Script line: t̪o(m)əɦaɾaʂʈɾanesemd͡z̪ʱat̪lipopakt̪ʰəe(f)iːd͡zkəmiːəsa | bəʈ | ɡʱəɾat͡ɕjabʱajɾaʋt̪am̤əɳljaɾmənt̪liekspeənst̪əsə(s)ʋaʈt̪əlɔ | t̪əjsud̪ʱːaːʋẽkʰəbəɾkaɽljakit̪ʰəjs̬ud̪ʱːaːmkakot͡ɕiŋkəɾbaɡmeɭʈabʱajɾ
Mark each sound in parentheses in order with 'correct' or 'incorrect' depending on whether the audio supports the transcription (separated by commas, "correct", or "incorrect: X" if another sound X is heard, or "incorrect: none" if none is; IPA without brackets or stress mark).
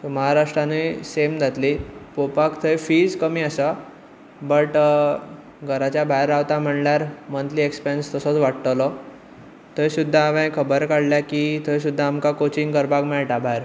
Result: correct, correct, incorrect: t͡s